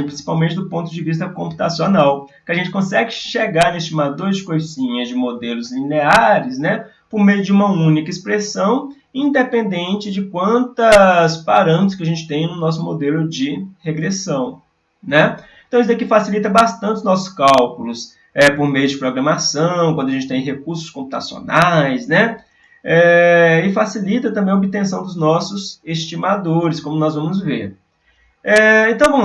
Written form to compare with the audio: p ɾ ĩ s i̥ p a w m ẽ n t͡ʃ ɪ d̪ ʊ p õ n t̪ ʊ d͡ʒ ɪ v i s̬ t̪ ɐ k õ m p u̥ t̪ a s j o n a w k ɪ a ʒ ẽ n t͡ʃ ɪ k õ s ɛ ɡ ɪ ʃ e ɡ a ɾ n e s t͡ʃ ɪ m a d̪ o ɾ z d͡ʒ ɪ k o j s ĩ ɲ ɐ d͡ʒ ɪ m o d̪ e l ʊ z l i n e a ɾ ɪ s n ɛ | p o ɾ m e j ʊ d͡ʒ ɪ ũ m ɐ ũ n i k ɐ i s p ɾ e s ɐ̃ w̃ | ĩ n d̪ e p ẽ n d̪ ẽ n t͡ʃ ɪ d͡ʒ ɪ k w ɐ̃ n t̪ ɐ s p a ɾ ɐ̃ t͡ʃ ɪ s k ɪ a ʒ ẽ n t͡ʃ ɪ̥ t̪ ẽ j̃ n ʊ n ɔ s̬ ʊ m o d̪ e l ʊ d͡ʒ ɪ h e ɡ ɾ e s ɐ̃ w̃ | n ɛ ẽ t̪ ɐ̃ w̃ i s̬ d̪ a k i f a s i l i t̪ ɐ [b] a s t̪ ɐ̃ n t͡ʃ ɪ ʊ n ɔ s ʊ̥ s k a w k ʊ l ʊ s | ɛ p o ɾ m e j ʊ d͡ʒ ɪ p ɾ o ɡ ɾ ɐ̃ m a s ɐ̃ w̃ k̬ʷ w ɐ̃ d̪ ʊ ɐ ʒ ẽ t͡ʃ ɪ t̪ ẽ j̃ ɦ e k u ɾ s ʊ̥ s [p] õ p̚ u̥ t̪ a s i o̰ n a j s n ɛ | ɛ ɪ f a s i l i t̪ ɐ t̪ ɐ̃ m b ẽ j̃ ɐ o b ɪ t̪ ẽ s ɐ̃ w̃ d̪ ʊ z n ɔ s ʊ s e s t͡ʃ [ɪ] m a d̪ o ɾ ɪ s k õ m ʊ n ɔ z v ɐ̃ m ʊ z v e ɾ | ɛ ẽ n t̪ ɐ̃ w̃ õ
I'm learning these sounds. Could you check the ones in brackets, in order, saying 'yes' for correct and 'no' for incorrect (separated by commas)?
yes, no, no